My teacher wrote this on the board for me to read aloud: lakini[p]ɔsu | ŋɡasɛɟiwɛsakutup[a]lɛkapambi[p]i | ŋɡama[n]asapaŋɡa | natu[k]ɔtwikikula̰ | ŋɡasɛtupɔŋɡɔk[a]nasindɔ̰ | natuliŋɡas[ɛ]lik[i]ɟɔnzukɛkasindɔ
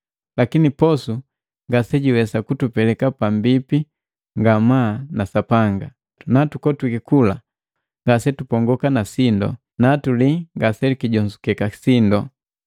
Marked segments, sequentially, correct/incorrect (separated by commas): correct, incorrect, correct, correct, correct, correct, correct, correct